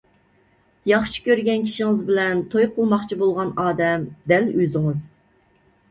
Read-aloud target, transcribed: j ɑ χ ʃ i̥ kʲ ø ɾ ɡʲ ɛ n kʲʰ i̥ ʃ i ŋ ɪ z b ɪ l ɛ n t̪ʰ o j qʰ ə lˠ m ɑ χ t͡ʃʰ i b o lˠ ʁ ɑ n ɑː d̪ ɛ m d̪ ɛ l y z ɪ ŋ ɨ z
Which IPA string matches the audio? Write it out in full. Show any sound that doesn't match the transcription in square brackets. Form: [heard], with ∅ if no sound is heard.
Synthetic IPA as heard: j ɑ χ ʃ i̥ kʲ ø ɾ ɡʲ ɛ n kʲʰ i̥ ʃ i ŋ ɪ z b ɪ l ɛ n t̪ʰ o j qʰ ə lˠ m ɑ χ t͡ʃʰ i b o lˠ ʁ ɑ n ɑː d̪ ɛ m d̪ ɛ l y z ɪ ŋ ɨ z